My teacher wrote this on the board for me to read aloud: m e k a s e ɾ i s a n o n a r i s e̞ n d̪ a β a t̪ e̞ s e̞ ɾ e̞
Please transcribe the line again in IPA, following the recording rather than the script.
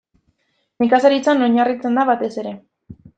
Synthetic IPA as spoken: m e k a s a ɾ i t͡s a n o ɲ a r i t͡s e̞ n d̪ a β a t̪ e̞ s e̞ ɾ e̞